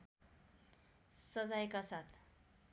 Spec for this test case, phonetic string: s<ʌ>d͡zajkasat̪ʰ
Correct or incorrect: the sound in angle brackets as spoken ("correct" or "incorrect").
correct